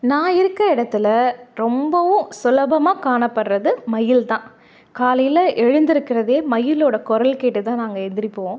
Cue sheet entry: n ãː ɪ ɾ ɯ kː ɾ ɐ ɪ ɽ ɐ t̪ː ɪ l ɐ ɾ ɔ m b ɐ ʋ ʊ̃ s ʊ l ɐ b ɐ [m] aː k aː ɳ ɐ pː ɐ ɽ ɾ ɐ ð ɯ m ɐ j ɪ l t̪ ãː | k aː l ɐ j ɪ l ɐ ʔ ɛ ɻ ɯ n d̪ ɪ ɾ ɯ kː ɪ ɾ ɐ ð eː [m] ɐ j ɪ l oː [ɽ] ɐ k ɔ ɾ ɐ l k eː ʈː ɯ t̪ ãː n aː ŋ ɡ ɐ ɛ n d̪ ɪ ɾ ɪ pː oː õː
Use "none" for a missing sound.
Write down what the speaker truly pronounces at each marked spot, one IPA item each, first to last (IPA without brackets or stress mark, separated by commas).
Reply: m, m, ɽ